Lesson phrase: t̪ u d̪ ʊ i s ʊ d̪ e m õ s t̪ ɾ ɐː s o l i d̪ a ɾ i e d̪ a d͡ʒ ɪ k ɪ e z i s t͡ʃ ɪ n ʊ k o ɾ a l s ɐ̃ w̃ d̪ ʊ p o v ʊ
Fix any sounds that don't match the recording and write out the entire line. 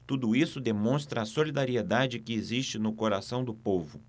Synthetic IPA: t̪ u d̪ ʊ i s ʊ d̪ e m õ s t̪ ɾ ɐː s o l i d̪ a ɾ i e d̪ a d͡ʒ ɪ k ɪ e z i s t͡ʃ ɪ n ʊ k o ɾ a s ɐ̃ w̃ d̪ ʊ p o v ʊ